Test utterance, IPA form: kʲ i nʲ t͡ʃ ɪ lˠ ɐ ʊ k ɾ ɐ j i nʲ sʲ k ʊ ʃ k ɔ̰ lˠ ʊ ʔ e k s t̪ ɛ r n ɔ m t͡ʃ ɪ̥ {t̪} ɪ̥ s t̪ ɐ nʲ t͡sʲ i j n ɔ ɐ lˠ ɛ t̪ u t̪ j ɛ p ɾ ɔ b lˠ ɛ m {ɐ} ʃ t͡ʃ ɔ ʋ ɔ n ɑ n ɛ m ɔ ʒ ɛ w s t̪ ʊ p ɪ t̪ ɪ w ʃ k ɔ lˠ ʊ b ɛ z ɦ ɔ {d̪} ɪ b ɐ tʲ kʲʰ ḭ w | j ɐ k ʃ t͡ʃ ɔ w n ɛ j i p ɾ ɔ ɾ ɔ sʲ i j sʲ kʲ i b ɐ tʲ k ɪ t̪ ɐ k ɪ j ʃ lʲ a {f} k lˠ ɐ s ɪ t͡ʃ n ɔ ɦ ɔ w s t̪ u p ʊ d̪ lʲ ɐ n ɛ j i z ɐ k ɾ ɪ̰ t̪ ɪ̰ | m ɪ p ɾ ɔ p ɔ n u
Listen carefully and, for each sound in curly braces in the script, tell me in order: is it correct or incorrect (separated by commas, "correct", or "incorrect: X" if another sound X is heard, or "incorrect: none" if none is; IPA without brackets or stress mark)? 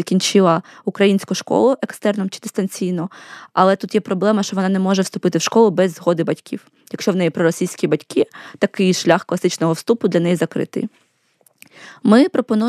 incorrect: d̪, correct, correct, incorrect: x